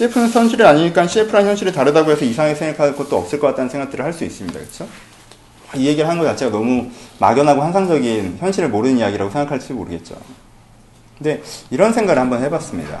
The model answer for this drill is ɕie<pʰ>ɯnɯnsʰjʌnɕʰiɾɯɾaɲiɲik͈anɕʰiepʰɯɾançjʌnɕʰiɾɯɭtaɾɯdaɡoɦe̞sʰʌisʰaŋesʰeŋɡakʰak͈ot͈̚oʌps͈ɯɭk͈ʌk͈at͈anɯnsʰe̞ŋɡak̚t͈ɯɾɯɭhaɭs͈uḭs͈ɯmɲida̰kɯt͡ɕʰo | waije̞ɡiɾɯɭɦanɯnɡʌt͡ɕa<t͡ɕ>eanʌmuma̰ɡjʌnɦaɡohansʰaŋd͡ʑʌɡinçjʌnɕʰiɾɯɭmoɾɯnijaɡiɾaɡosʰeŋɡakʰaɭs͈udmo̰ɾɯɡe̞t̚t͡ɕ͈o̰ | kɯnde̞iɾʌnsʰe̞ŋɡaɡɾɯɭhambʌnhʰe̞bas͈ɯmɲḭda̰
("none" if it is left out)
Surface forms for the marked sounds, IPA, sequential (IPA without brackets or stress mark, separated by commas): pʰ, t͡ɕʰ